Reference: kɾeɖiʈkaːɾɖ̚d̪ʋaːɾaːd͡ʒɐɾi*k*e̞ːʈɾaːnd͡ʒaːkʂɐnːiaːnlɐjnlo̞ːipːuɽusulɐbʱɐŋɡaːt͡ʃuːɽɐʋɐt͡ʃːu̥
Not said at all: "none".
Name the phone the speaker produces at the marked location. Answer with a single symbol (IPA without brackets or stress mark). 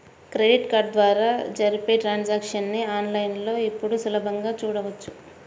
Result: p